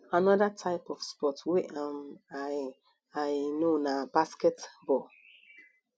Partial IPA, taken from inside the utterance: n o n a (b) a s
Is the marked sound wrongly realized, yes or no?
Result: no